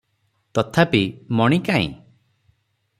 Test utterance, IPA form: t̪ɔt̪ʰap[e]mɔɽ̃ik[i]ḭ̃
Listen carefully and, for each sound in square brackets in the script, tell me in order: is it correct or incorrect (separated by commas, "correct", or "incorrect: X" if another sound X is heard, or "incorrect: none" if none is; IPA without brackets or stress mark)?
incorrect: i, incorrect: a